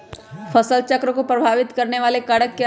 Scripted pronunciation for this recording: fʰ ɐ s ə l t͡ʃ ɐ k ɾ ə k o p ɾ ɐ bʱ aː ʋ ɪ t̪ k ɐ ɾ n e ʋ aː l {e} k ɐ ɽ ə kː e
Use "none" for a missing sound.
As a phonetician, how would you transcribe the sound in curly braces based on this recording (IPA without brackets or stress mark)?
e